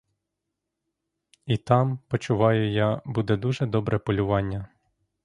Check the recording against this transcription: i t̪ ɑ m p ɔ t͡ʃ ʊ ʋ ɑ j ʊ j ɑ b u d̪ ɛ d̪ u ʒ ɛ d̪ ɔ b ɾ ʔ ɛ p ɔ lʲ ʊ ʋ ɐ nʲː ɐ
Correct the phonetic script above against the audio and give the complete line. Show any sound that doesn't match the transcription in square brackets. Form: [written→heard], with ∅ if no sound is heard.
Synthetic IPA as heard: i t̪ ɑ m p ɔ t͡ʃ ʊ ʋ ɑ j ʊ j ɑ b u d̪ ɛ d̪ u ʒ ɛ d̪ ɔ b ɾ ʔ ɛ p ɔ lʲ ʊ ʋ [ɐ→ɑ] nʲː ɐ